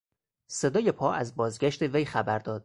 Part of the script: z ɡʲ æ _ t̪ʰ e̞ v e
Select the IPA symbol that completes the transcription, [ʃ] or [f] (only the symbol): ʃ